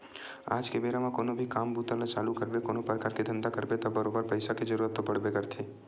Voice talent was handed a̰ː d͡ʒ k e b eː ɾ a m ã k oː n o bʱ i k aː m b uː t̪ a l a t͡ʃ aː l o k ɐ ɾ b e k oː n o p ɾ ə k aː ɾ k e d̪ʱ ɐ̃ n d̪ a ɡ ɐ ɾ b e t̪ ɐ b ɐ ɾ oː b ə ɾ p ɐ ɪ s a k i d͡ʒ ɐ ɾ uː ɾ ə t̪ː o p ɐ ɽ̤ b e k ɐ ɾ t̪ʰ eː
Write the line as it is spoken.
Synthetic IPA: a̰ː d͡ʒ k e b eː ɾ a m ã k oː n o bʱ i k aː m b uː t̪ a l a t͡ʃ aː l u k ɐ ɾ b e k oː n o p ɾ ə k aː ɾ k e d̪ʱ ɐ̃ n d̪ a k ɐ ɾ b e t̪ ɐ b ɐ ɾ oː b ə ɾ p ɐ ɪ s a k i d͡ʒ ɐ ɾ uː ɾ ə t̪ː o p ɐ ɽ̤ b e k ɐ ɾ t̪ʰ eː